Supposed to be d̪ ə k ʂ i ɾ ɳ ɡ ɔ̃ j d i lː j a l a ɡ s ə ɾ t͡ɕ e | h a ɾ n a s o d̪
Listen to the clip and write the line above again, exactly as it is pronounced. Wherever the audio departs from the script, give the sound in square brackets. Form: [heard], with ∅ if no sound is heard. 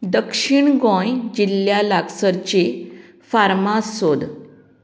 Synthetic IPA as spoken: d̪ ə k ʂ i [∅] ɳ ɡ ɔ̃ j [d͡ʑ] i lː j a l a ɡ s ə ɾ t͡ɕ e | [f] a ɾ [m] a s o d̪